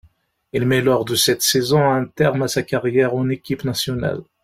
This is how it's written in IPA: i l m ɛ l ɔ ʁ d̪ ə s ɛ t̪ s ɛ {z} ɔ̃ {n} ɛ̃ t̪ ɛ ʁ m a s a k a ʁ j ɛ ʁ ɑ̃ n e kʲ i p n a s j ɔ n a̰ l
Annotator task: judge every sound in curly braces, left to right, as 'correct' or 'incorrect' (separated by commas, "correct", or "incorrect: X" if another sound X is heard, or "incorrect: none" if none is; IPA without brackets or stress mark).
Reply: correct, incorrect: none